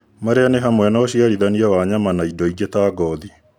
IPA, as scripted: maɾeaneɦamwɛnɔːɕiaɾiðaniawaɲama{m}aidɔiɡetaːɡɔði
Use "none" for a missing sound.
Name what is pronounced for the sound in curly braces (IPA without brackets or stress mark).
n